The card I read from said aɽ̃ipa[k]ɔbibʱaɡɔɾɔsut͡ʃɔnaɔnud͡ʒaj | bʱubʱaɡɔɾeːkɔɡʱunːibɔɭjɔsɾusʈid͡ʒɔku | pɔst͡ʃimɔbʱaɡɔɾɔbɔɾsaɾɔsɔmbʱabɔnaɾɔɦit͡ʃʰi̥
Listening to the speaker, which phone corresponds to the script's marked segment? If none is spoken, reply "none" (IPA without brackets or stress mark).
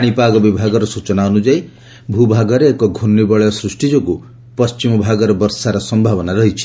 ɡ